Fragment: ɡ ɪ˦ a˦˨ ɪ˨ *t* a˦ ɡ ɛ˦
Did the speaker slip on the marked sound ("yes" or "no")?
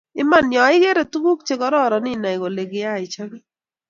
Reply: yes